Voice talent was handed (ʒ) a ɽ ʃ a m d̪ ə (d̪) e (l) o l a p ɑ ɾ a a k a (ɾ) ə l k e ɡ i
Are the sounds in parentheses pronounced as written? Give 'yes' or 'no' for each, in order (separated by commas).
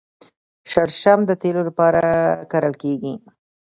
no, no, yes, yes